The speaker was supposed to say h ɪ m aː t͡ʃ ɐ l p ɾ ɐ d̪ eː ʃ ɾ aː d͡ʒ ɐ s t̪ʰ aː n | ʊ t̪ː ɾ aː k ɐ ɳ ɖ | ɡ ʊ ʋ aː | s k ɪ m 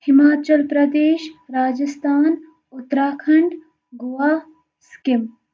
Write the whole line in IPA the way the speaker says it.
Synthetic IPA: h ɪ m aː t͡ʃ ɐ l p ɾ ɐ d̪ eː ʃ ɾ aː d͡ʒ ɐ s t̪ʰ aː n | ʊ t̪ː ɾ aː kʰ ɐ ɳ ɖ | ɡ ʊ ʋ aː | s k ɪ m